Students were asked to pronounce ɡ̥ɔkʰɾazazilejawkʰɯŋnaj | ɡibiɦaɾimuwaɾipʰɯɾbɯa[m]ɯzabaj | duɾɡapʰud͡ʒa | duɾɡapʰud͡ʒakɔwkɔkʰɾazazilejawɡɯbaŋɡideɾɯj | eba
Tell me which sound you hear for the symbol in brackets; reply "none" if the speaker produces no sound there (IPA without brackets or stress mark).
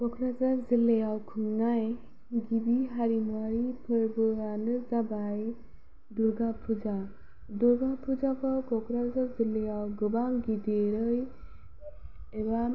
n